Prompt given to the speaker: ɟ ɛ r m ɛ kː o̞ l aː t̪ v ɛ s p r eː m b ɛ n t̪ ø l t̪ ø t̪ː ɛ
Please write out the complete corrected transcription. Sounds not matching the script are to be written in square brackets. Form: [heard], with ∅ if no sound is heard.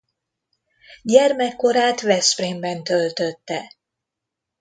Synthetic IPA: ɟ ɛ r m ɛ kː o̞ [ɾ] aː t̪ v ɛ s p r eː m b ɛ n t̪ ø l t̪ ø t̪ː ɛ